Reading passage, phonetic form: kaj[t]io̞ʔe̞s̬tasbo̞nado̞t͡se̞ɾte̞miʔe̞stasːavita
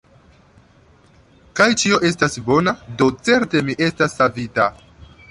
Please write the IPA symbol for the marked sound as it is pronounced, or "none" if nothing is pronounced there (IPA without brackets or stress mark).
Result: t͡ʃ